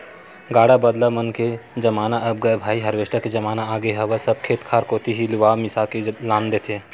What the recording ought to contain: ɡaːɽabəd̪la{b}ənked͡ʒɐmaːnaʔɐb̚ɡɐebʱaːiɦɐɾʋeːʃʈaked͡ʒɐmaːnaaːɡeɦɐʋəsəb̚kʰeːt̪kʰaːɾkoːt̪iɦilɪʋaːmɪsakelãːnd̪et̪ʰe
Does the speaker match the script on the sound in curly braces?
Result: no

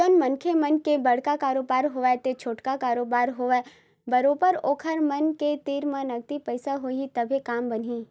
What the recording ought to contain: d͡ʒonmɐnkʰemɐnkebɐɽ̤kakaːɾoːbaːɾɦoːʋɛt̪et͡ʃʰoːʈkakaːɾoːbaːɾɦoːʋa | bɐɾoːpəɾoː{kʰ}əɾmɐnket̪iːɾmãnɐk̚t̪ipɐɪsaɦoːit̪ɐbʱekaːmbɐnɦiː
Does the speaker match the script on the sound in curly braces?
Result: yes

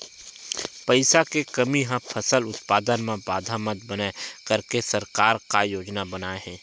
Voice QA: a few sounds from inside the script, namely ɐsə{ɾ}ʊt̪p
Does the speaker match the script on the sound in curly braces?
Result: no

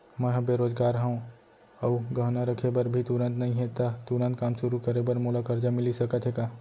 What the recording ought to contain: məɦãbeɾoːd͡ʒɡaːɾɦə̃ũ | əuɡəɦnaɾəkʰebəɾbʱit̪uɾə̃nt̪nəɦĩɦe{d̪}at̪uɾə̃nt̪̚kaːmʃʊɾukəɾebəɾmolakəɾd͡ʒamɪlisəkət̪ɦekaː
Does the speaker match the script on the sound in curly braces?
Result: no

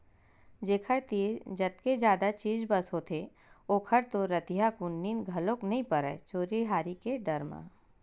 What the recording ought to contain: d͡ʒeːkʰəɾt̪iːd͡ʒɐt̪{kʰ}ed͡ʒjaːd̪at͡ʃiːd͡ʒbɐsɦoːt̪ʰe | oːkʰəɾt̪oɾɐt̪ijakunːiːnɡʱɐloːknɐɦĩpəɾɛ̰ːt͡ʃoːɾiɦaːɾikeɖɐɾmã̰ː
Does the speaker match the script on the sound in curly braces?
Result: no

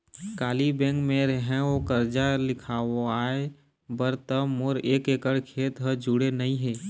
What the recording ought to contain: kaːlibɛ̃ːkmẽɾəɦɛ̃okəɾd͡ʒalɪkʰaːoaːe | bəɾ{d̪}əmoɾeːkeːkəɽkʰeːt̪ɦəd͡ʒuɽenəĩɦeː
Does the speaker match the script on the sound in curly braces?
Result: no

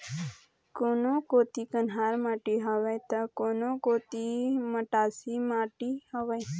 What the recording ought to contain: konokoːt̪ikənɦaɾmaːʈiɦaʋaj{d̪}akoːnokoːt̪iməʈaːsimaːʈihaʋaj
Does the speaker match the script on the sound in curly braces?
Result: no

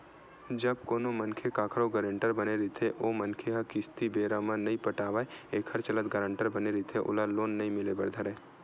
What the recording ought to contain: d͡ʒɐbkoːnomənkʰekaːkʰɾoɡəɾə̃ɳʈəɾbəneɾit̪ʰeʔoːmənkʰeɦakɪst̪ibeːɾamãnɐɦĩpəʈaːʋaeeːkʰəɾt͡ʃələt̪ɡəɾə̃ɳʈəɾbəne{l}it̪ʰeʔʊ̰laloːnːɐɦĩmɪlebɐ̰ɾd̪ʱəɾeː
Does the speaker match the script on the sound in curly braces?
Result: no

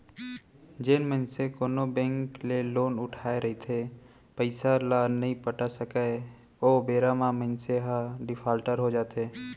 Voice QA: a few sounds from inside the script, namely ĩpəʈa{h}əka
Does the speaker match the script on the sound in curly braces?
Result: no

